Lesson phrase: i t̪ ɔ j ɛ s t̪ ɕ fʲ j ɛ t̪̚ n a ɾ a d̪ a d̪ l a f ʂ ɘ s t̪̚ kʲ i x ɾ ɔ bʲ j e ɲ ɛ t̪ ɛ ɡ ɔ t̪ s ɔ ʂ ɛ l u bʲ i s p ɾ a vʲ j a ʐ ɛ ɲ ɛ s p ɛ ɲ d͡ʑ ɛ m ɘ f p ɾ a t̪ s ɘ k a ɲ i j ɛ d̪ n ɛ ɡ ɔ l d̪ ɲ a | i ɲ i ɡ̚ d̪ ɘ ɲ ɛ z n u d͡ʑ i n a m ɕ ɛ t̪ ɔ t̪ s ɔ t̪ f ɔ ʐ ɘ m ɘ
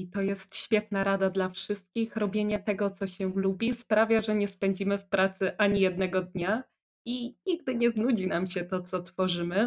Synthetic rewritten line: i t̪ ɔ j ɛ s t̪ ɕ fʲ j ɛ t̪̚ n a ɾ a d̪ a d̪ l a f ʂ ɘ s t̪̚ kʲ i x ɾ ɔ bʲ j e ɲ ɛ t̪ ɛ ɡ ɔ t̪ s ɔ ɕ ɛ l u bʲ i s p ɾ a vʲ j a ʐ ɛ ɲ ɛ s p ɛ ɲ d͡ʑ i m ɘ f p ɾ a t̪ s ɘ ʔ a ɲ i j ɛ d̪ n ɛ ɡ ɔ d̪ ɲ a | i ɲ i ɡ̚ d̪ ɘ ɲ ɛ z n u d͡ʑ i n a m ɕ ɛ t̪ ɔ t̪ s ɔ t̪ f ɔ ʐ ɘ m ɘ